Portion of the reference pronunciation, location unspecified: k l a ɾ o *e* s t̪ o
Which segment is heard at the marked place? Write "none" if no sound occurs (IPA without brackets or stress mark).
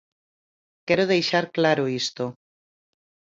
i